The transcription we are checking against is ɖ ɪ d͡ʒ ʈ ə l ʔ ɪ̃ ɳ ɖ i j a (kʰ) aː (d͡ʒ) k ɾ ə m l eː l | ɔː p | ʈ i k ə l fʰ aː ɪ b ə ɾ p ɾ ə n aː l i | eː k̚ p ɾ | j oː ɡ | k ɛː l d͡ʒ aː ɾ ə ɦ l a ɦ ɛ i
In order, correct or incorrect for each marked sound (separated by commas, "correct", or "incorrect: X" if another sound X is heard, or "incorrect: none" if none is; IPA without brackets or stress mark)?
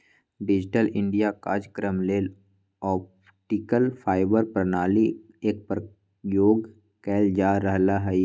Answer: incorrect: k, correct